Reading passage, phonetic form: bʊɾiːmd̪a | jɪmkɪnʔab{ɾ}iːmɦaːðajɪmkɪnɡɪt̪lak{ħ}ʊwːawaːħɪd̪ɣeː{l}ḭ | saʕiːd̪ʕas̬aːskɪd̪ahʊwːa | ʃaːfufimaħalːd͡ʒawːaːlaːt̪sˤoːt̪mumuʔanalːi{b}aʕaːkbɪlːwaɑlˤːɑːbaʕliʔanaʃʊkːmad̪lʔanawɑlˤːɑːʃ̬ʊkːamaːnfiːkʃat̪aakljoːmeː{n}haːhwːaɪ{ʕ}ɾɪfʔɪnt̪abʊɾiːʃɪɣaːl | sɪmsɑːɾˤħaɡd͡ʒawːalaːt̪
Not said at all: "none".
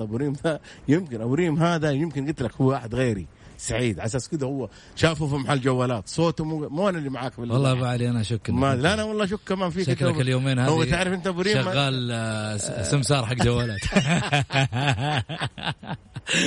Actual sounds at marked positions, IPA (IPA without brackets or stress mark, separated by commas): ɾ, h, ɾ, m, n, ʕ